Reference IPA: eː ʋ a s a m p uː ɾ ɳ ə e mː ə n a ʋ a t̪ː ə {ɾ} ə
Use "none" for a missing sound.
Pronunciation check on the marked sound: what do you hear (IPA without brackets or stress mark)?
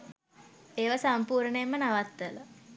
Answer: l